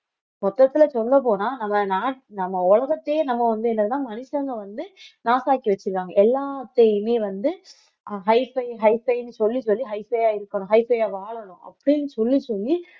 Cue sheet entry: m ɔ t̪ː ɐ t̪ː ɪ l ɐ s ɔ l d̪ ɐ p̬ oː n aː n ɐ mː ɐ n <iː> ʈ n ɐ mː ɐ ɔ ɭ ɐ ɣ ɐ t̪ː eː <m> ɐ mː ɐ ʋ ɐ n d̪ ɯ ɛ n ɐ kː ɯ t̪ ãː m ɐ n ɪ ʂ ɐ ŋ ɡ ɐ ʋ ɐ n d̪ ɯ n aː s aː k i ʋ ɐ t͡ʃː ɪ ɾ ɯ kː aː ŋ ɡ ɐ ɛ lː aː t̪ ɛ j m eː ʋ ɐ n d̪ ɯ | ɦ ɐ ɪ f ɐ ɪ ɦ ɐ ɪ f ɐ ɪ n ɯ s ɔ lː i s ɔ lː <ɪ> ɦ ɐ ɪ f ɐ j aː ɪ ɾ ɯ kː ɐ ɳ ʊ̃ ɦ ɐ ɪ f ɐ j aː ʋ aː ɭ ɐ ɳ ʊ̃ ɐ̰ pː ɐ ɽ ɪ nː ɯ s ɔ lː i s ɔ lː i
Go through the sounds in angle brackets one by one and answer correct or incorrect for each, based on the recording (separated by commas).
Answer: incorrect, incorrect, incorrect